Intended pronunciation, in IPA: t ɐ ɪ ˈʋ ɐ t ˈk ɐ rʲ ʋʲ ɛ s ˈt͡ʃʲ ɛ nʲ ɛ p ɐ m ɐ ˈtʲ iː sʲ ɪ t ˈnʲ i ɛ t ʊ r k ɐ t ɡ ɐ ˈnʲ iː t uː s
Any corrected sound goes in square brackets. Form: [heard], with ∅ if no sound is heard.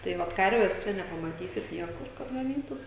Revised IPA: t ɐ ɪ ˈʋ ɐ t ˈk ɐ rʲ ʋʲ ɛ s ˈt͡ʃʲ ɛ nʲ ɛ p ɐ m ɐ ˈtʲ iː sʲ ɪ t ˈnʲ i ɛ [k] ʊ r k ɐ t ɡ ɐ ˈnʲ iː t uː s